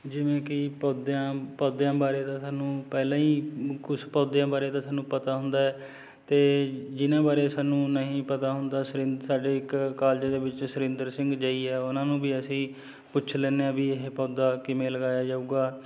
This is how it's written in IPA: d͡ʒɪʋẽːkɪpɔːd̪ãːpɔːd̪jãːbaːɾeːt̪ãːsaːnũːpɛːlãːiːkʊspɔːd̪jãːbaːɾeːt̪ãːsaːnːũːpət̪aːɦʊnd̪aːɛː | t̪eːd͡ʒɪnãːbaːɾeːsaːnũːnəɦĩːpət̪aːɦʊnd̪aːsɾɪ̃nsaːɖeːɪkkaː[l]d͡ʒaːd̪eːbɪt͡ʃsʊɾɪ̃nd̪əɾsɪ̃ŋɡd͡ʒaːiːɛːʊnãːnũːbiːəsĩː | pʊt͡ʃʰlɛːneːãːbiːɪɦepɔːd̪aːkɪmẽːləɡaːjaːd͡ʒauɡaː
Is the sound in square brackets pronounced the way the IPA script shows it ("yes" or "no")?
yes